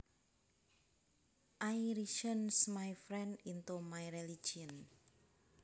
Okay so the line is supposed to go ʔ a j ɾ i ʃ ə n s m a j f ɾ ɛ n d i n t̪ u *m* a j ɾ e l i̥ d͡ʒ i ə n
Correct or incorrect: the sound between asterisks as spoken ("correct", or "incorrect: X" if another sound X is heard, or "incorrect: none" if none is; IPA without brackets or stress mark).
correct